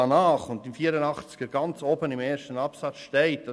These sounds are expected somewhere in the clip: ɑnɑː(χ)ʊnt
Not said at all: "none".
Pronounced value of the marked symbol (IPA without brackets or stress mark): χ